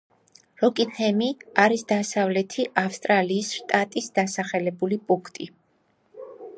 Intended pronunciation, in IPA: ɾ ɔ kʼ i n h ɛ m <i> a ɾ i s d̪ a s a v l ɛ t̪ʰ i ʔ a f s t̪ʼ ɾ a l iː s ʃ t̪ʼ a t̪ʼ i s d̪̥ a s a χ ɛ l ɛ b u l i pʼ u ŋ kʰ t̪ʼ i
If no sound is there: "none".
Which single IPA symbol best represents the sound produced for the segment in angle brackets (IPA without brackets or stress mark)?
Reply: i